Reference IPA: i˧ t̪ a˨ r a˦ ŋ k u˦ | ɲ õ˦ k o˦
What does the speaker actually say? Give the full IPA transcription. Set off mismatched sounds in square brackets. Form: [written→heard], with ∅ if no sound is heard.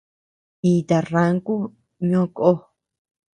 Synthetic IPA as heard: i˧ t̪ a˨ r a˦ ŋ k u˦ | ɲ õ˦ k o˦